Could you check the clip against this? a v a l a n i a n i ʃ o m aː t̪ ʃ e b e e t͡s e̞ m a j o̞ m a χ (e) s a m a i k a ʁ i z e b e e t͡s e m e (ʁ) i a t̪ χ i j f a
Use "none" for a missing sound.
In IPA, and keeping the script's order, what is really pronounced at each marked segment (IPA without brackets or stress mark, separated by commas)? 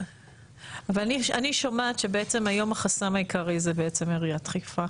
a, ʁ